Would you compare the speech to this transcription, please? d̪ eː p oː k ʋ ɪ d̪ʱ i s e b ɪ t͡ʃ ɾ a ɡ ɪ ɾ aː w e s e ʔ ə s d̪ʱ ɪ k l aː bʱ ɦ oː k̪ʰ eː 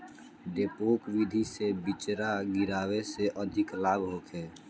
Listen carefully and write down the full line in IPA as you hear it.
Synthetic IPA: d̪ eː p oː k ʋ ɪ d̪ʱ i s e b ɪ t͡ʃ ɾ a ɡ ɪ ɾ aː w e s e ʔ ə d̪ʱ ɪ k l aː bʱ ɦ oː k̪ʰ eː